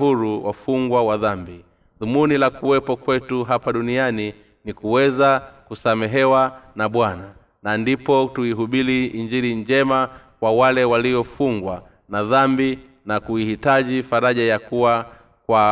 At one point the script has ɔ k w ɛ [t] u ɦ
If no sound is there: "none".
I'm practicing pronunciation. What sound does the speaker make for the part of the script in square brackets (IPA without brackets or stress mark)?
t